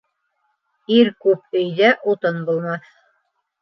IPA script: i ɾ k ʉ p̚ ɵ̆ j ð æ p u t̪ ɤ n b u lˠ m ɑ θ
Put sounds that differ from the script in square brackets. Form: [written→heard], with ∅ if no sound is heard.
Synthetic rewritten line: i ɾ k ʉ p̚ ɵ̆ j ð æ [p→ʔ] u t̪ ɤ n b u lˠ m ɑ θ

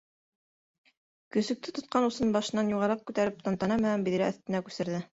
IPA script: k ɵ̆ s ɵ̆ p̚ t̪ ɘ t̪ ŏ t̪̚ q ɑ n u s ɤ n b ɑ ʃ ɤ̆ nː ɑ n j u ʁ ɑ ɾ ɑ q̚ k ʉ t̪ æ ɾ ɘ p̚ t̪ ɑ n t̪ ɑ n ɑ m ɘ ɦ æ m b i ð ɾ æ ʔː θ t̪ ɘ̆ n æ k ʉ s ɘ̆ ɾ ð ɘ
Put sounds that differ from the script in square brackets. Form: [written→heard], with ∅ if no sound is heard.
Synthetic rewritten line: k ɵ̆ s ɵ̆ [p̚→k̚] t̪ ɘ t̪ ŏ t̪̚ q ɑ n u s ɤ n b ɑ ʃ ɤ̆ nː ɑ n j u ʁ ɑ ɾ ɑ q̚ k ʉ t̪ æ ɾ ɘ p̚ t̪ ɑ n t̪ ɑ n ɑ m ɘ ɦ æ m b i ð ɾ æ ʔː θ t̪ ɘ̆ n æ k ʉ s ɘ̆ ɾ ð ɘ

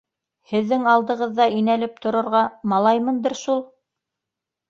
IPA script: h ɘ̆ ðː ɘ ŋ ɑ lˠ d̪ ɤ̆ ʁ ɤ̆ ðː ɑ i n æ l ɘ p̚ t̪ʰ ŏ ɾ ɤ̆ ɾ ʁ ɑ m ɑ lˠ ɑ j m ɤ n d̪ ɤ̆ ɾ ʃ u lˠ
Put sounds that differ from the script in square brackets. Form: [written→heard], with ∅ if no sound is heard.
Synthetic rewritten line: h ɘ̆ ðː ɘ ŋ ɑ lˠ d̪ ɤ̆ ʁ ɤ̆ ðː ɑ i n æ l ɘ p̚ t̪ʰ ŏ ɾ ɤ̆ ɾ ʁ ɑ m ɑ lˠ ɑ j m ɤ n d̪ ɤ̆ ɾ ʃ u lˠ

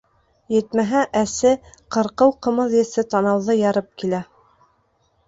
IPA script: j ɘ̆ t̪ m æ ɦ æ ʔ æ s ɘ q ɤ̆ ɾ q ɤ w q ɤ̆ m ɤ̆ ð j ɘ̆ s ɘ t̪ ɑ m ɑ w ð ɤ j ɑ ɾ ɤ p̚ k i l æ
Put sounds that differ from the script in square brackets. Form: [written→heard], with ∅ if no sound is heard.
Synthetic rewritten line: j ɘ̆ t̪ m æ ɦ æ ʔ æ s ɘ q ɤ̆ ɾ q ɤ w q ɤ̆ m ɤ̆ ð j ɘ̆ s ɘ t̪ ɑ [m→n] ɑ w ð ɤ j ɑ ɾ ɤ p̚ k i l æ

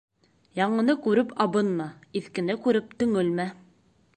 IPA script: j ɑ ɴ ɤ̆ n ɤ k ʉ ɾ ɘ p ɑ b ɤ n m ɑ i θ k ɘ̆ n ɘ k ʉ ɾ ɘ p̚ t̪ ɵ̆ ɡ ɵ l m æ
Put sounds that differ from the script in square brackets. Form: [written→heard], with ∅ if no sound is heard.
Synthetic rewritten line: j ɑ ɴ ɤ̆ n ɤ k ʉ ɾ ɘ p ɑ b ɤ n m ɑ i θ k ɘ̆ n ɘ k ʉ ɾ ɘ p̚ t̪ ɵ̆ [ɡ→ŋ] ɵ l m æ

